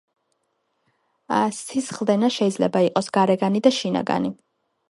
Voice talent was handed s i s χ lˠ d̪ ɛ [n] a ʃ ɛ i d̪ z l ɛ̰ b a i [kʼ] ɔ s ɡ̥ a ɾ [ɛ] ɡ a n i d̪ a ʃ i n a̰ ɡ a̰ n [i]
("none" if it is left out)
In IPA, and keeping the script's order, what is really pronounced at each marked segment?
n, qʼ, ɛ, i

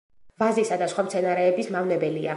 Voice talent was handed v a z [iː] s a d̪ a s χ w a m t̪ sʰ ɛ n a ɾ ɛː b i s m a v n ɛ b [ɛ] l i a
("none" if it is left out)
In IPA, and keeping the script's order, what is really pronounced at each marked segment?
i, ɛ

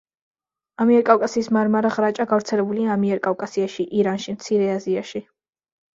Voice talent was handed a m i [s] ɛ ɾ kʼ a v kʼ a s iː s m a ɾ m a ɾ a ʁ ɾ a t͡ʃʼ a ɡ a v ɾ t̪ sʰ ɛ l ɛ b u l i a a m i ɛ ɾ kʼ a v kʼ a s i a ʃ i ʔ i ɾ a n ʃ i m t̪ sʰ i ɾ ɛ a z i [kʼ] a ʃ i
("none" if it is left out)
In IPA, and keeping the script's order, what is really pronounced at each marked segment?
none, none

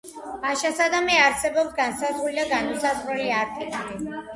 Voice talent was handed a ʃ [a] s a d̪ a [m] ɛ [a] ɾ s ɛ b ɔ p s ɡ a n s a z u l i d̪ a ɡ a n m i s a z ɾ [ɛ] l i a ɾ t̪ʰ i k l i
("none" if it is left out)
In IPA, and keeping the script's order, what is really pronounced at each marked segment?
a, m, a, ɛ

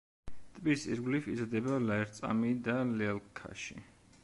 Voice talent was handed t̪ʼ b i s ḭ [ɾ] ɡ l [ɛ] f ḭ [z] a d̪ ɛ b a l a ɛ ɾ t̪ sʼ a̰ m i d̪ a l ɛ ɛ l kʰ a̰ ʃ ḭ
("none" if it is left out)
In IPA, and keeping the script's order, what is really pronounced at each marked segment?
ɾ, i, z

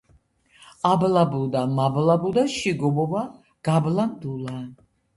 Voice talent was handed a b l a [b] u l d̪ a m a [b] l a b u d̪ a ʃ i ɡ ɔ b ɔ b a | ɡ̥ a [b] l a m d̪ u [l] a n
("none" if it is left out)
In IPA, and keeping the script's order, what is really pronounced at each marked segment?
b, b, b, l

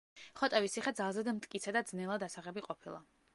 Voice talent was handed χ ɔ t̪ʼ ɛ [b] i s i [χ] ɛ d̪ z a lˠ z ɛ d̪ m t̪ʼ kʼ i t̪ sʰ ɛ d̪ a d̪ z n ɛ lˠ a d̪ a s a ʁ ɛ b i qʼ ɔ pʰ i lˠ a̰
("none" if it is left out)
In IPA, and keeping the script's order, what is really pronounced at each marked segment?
v, χ

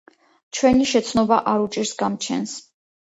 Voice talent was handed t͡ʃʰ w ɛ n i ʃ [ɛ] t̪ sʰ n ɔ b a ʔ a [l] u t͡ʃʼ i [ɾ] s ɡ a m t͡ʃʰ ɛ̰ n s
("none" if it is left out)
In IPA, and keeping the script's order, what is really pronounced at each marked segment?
ɛ, ɾ, ɾ

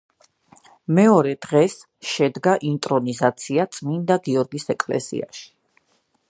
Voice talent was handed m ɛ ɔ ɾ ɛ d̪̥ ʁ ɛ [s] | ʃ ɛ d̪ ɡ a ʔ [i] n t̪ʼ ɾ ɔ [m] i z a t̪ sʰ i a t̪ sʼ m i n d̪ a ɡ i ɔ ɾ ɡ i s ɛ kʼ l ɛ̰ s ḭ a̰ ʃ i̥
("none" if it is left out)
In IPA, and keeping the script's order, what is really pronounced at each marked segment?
s, i, n

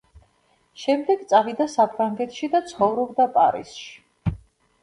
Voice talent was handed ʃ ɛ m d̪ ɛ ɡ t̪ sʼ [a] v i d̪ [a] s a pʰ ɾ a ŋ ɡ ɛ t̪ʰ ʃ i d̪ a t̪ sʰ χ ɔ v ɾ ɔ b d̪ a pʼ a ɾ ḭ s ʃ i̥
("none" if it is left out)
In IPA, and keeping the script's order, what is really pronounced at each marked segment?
a, a

